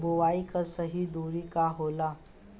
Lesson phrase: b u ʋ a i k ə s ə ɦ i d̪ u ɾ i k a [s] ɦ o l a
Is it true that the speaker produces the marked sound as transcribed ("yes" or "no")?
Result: no